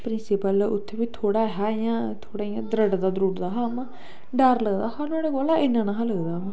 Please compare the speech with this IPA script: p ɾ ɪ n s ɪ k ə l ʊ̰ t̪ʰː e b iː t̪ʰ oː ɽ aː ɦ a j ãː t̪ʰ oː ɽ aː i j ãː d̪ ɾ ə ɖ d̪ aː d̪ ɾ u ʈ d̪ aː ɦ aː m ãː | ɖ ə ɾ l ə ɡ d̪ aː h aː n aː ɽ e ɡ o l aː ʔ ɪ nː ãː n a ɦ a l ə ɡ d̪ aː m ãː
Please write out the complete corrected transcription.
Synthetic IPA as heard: p ɾ ɪ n s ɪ p ə l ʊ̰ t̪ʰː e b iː t̪ʰ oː ɽ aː ɦ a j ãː t̪ʰ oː ɽ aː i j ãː d̪ ɾ ə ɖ d̪ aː d̪ ɾ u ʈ d̪ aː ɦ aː m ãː | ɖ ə ɾ l ə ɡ d̪ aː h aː n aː ɽ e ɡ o l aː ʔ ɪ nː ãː n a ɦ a l ə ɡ d̪ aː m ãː